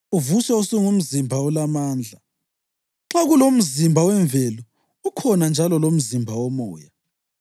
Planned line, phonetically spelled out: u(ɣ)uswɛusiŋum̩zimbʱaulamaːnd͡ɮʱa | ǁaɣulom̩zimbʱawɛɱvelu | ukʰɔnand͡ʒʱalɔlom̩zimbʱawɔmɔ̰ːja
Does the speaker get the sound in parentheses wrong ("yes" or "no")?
yes